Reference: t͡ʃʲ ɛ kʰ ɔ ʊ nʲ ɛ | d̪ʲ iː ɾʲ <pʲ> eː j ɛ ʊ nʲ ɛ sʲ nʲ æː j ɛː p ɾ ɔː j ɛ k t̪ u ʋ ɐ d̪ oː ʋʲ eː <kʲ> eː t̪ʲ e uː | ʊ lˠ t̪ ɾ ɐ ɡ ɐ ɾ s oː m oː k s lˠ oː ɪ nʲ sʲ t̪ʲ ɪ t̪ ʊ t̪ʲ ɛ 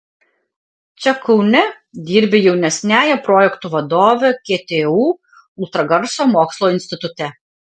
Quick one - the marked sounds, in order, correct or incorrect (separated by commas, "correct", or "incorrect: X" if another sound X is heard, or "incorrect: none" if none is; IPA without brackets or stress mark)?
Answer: incorrect: bʲ, correct